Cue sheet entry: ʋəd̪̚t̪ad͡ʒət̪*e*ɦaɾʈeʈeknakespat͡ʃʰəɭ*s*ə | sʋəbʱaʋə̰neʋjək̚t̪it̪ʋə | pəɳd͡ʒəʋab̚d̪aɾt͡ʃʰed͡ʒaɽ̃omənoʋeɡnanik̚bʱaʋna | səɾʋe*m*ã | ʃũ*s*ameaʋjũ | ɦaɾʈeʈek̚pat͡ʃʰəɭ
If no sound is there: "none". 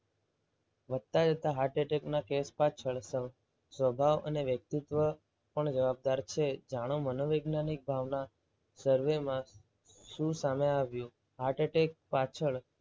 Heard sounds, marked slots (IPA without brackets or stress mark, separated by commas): a, s, m, s